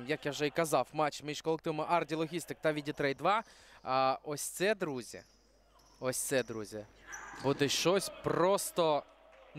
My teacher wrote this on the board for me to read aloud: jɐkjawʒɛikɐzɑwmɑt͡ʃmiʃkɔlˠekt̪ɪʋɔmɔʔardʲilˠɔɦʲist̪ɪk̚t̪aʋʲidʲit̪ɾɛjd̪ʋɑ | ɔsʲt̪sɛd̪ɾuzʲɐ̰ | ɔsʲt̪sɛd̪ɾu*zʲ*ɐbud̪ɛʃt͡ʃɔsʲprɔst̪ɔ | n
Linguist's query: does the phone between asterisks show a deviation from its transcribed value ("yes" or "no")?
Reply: no